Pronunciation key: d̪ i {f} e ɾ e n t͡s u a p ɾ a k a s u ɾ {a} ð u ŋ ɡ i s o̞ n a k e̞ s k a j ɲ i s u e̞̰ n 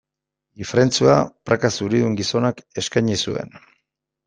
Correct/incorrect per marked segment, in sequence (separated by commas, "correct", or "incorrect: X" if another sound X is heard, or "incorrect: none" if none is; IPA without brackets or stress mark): correct, incorrect: i